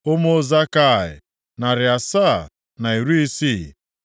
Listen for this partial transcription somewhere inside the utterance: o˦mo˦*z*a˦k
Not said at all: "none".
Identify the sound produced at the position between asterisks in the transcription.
z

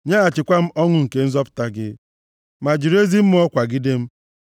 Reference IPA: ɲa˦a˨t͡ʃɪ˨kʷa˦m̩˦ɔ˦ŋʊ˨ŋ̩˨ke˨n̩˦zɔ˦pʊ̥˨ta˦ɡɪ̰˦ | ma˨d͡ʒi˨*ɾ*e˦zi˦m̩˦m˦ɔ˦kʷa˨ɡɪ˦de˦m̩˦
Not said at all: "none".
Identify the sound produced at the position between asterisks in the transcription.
ɾ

